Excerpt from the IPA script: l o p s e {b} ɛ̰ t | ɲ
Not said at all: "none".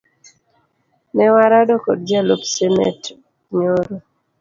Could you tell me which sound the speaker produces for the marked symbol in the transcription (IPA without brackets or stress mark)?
m